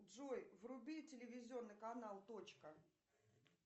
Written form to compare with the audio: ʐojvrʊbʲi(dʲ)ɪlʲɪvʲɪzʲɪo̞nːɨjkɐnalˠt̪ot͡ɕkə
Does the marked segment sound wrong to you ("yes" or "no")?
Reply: yes